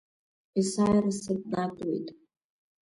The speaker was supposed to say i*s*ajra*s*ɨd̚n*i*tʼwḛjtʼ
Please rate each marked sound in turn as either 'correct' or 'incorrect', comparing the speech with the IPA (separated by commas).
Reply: correct, correct, incorrect